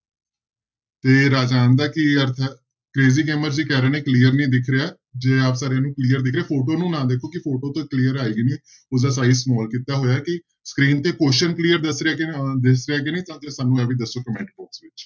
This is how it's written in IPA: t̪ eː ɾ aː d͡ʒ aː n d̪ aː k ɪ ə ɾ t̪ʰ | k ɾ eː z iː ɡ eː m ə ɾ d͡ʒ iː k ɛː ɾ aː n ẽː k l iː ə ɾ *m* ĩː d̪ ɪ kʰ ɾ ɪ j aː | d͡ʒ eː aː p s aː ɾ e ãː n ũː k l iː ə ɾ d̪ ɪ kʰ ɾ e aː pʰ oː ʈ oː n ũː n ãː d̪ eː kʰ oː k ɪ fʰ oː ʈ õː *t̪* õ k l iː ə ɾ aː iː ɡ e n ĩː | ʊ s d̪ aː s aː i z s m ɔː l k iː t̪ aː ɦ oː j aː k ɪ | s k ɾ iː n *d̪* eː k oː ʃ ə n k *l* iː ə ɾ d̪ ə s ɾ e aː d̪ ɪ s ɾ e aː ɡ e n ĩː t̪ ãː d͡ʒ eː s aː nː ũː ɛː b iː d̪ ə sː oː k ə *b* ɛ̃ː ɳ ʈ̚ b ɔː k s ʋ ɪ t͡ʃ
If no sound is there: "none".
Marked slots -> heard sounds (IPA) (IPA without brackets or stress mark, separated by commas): n, t̪, t̪, l, m